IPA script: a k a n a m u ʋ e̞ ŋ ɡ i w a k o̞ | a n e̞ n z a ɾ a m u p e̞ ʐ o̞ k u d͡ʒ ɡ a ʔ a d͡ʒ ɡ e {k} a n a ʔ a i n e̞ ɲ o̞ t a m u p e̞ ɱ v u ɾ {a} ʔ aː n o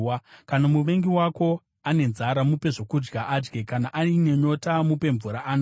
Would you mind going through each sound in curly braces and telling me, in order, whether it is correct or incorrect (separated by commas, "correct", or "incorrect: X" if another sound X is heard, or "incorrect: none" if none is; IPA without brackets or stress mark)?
correct, correct